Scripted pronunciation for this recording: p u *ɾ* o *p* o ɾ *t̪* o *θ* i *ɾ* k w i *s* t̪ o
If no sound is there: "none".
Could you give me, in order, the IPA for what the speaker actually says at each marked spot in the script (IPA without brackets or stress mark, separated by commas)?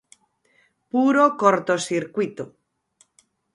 ɾ, k, t̪, s, ɾ, none